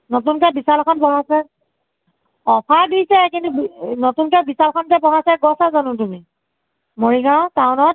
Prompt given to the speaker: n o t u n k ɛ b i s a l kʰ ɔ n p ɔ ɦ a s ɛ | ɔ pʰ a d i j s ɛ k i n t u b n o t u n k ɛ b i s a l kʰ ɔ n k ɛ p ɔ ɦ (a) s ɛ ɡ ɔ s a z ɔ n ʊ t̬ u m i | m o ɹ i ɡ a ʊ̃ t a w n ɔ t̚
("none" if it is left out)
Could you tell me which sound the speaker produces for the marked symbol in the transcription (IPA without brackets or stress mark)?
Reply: a